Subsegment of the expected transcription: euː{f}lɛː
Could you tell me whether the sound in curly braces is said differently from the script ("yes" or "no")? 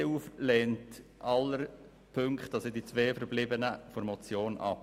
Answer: no